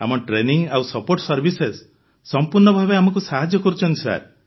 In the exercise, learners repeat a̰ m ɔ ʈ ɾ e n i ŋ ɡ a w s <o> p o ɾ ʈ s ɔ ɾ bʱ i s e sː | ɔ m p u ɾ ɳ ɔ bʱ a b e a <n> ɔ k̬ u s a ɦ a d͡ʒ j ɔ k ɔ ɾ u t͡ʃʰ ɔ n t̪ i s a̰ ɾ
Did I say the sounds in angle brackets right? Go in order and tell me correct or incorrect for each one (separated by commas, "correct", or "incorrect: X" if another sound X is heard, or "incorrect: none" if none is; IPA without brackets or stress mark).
incorrect: ɔ, incorrect: m